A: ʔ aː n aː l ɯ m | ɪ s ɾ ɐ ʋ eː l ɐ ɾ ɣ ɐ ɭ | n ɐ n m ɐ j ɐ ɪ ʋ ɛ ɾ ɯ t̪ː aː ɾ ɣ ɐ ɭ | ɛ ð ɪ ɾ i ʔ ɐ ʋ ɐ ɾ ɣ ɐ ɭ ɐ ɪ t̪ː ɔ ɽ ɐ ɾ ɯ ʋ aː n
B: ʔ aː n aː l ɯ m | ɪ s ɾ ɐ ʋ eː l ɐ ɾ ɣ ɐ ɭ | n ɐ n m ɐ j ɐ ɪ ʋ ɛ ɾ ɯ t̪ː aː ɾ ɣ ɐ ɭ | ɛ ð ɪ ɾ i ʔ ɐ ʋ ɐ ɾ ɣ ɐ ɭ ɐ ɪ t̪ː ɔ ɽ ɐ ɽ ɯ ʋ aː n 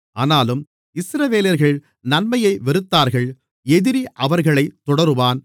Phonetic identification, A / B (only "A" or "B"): A